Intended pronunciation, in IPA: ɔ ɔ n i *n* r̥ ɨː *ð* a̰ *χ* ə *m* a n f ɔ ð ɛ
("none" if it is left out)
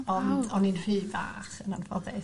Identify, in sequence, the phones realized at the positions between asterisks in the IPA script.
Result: n, v, χ, n

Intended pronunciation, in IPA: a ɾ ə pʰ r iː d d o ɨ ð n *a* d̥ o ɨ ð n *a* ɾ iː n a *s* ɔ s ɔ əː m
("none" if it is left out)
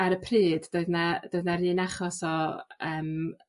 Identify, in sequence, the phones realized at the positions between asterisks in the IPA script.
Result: a, a, χ

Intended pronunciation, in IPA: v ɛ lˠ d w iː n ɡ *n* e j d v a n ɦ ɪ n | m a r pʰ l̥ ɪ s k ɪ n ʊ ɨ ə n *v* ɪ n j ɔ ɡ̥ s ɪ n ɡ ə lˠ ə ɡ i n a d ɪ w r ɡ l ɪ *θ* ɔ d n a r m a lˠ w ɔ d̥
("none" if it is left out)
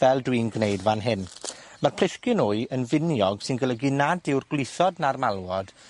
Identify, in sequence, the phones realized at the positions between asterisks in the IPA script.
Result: n, v, θ

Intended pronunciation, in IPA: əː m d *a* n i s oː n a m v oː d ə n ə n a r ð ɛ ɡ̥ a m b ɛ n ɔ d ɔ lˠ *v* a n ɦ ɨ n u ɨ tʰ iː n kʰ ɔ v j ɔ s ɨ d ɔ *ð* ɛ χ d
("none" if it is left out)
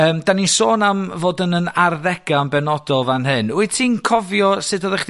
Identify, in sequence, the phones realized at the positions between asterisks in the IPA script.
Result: a, v, ð

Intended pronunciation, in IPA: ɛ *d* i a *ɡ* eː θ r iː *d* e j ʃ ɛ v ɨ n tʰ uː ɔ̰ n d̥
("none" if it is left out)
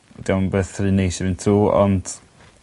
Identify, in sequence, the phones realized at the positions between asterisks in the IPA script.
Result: d, b, n

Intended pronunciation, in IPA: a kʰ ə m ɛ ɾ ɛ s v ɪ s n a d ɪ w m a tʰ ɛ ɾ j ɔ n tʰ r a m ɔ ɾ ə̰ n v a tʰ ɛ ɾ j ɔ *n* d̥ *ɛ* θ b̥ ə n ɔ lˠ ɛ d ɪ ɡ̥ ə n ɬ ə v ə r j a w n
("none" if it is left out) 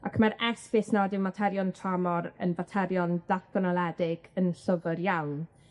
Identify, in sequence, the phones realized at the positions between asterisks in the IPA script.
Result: n, a

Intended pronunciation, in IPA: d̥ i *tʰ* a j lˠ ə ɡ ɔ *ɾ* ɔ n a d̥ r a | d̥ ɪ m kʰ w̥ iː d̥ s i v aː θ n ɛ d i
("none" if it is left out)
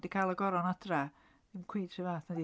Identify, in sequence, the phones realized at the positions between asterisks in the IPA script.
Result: kʰ, ɾ

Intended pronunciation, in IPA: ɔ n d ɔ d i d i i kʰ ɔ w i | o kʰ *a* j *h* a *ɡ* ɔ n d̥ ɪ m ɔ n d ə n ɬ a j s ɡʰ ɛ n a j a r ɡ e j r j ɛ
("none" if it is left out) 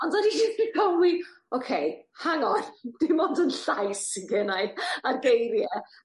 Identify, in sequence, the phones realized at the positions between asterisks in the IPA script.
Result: e, h, ŋ

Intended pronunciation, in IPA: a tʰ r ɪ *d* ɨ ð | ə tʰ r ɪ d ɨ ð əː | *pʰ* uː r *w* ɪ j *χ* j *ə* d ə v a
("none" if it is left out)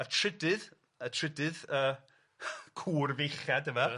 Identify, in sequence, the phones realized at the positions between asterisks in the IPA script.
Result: d, kʰ, v, χ, a

